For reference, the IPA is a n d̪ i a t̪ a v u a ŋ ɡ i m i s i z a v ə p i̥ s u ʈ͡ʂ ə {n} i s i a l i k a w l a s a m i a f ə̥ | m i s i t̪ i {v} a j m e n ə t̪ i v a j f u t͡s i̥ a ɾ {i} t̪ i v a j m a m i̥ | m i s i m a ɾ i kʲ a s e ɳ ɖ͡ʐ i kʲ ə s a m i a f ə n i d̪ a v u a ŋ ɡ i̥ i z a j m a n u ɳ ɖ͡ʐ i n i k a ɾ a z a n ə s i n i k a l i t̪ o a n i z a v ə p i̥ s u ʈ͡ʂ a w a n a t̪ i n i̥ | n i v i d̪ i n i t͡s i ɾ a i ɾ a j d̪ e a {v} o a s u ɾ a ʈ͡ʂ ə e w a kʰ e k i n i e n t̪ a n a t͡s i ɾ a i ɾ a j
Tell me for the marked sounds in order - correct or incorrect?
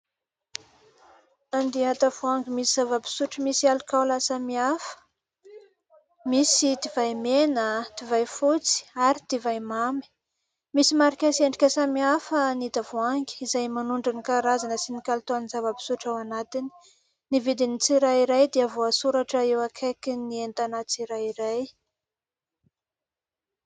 incorrect, correct, correct, correct

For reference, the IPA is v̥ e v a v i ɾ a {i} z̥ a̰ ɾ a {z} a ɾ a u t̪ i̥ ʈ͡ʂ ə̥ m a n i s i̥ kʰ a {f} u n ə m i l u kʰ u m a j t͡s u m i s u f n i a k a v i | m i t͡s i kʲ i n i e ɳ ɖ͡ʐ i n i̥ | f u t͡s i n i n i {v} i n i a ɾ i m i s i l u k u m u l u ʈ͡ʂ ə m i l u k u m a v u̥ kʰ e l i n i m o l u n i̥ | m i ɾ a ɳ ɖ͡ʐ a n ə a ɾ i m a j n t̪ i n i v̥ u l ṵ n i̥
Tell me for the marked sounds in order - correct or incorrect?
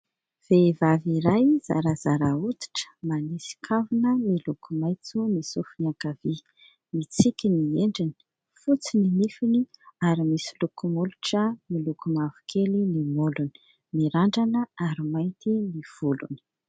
incorrect, correct, incorrect, incorrect

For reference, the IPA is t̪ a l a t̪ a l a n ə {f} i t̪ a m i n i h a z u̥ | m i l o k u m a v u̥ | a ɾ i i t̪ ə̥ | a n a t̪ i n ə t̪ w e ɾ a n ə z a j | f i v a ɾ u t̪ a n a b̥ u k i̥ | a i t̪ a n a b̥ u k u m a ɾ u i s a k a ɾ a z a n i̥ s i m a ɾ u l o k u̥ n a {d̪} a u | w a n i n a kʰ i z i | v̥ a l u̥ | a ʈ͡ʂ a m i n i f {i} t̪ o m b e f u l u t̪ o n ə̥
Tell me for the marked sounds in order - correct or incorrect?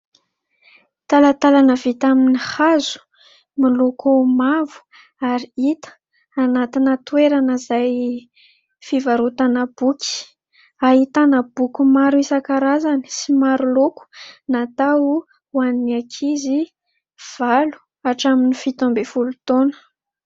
incorrect, incorrect, correct

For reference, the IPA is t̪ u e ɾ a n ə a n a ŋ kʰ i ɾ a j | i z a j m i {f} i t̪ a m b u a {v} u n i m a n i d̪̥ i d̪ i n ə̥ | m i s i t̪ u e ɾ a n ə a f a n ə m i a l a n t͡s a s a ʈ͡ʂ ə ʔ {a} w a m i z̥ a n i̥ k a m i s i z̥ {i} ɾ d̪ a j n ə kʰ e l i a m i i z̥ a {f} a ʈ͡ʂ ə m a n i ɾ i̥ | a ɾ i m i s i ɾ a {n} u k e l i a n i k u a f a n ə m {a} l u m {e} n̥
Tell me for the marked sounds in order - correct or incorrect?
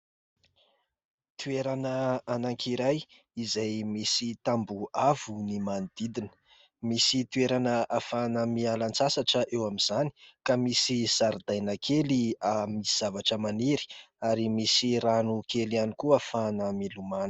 incorrect, correct, incorrect, incorrect, incorrect, correct, incorrect, incorrect

